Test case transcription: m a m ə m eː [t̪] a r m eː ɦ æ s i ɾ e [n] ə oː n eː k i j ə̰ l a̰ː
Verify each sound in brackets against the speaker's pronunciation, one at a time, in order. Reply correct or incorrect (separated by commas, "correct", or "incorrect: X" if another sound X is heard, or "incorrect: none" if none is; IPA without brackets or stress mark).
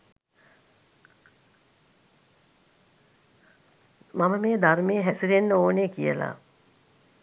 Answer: incorrect: d̪, incorrect: nː